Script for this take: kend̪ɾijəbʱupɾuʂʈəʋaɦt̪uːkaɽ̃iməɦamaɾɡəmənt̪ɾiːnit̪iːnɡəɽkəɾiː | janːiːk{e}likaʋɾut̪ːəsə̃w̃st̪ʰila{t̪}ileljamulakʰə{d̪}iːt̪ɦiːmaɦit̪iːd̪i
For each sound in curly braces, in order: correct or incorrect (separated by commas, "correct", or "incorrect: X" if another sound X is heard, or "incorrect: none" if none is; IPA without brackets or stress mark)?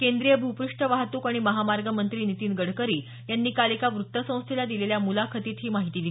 incorrect: a, incorrect: d̪, incorrect: t̪